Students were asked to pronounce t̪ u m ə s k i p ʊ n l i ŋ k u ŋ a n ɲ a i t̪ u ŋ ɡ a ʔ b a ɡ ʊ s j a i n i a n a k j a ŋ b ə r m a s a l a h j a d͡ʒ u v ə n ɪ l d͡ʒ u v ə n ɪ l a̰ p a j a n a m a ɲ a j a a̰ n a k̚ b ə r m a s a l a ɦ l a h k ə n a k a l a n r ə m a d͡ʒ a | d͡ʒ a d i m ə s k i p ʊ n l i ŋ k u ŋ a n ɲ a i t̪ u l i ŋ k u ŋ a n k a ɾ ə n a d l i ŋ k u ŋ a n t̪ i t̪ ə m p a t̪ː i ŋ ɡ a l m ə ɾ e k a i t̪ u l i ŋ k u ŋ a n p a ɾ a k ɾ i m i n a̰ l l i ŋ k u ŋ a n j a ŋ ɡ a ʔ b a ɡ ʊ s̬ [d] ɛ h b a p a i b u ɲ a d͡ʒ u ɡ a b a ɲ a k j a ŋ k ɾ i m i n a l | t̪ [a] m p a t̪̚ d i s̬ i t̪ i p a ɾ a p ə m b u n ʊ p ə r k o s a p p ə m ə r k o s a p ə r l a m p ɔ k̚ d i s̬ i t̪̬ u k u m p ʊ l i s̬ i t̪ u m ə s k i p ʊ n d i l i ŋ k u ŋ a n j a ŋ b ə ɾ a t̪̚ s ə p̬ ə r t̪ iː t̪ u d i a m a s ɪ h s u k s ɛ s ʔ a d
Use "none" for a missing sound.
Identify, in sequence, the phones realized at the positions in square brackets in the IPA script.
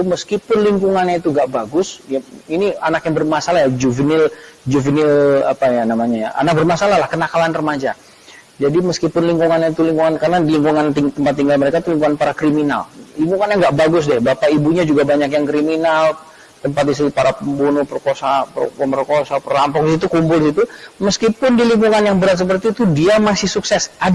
d, ə

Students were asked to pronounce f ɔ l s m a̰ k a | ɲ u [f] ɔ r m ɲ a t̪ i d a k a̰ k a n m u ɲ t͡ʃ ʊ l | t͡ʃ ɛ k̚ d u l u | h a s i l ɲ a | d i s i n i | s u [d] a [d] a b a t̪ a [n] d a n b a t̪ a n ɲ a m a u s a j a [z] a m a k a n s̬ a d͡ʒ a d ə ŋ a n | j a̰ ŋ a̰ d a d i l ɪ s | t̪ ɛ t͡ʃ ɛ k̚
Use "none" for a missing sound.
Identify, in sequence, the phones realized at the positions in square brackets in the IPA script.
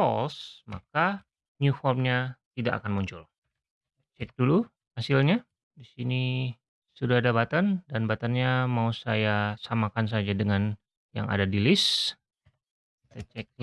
f, d, d, n, s

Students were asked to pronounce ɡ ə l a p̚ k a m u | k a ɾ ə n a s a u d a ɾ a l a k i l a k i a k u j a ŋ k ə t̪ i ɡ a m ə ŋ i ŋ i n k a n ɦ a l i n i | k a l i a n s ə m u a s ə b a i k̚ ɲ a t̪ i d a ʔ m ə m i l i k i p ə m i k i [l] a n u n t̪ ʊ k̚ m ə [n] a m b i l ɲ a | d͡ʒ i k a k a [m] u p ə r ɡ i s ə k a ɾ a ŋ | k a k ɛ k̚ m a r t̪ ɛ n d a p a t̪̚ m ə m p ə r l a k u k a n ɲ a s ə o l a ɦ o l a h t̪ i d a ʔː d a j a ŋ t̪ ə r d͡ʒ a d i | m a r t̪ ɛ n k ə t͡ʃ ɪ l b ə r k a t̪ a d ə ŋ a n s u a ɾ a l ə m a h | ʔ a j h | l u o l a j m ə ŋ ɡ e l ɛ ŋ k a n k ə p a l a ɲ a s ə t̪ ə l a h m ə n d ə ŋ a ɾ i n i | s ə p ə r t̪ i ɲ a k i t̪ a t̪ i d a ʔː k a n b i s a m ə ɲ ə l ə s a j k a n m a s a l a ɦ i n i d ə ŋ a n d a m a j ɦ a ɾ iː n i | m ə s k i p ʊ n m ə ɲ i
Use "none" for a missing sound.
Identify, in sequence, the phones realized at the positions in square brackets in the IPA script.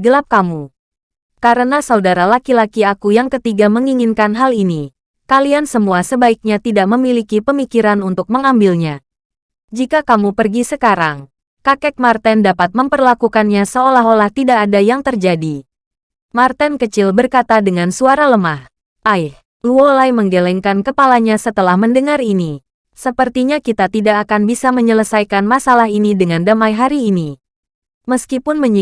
ɾ, ŋ, m

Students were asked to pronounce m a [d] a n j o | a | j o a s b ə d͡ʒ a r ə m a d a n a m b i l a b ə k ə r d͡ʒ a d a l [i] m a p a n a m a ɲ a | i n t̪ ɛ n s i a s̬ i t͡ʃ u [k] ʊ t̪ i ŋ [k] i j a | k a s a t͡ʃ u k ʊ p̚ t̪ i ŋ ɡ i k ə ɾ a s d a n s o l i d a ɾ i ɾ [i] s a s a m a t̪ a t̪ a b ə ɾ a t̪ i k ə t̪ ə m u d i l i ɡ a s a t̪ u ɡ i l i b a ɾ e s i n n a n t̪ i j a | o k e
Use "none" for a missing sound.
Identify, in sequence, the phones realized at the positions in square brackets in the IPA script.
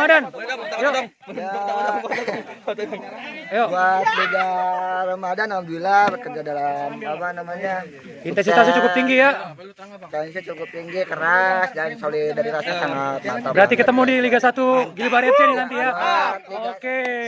d, a, k, ɡ, a

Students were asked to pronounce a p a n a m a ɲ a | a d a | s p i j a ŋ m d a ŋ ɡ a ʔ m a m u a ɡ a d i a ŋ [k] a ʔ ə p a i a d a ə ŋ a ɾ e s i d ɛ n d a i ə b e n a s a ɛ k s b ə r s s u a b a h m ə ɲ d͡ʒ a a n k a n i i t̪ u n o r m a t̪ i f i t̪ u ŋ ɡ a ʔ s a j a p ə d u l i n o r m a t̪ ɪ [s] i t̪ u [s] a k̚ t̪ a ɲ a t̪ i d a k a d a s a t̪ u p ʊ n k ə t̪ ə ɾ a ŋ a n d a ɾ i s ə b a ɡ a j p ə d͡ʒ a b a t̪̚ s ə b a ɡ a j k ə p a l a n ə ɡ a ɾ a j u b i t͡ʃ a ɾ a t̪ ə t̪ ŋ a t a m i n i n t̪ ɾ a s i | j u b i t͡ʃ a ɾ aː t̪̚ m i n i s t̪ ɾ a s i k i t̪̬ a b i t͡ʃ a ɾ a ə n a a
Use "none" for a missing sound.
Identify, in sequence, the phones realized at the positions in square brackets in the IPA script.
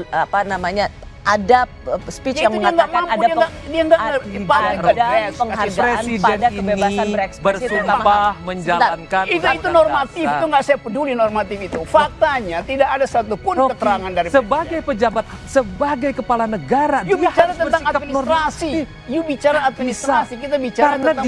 ɡ, f, f

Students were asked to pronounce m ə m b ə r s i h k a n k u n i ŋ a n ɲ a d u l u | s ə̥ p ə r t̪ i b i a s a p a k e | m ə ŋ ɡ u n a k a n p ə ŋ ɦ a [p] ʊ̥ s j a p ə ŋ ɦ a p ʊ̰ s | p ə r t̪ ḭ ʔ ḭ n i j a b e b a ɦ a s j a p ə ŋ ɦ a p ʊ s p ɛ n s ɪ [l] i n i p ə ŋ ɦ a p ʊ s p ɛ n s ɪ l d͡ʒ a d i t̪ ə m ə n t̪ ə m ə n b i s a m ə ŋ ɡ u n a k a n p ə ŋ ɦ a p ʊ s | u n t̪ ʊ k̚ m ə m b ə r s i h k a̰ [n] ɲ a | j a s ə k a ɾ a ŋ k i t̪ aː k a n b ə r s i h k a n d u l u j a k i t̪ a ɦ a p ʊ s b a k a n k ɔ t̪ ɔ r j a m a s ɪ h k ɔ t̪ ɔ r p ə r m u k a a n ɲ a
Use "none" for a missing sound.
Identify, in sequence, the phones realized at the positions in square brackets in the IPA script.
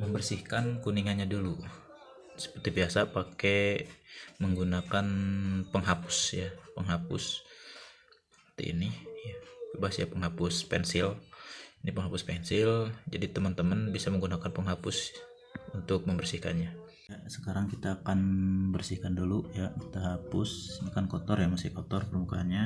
p, l, n

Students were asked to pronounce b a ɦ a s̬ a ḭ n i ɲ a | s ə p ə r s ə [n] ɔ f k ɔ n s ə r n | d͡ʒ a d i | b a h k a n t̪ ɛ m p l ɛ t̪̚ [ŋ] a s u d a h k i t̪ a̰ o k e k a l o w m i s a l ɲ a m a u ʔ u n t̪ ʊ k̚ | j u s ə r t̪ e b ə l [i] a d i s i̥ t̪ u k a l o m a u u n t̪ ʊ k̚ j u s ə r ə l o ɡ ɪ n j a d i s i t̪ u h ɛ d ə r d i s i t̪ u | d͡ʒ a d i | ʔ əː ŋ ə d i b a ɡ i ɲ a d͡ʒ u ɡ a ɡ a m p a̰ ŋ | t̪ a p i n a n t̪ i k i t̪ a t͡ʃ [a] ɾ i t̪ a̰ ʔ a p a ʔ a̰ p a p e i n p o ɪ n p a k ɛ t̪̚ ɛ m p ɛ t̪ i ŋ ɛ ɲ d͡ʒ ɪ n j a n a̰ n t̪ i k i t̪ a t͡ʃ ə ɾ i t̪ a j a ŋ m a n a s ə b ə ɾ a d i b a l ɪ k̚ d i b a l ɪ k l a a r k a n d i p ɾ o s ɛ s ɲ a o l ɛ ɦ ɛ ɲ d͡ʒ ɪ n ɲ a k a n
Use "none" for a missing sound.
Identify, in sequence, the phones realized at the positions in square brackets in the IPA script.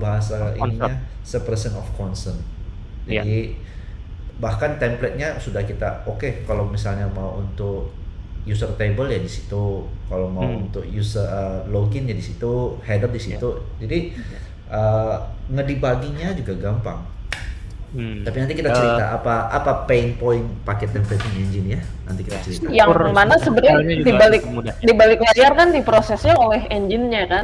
n, ɲ, j, ə

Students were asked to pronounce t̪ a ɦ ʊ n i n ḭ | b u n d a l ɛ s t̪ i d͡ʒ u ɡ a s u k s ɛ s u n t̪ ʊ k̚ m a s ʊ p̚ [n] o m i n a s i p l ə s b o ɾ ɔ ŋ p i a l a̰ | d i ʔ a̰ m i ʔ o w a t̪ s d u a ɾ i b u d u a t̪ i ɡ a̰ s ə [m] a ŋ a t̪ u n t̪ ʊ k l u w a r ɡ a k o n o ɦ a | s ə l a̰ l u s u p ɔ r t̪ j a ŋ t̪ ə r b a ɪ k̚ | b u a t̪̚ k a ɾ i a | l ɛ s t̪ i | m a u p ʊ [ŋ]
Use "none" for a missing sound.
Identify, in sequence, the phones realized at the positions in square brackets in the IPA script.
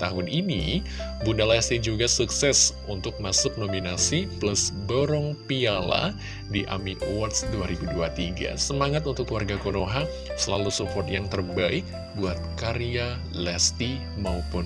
n, m, n

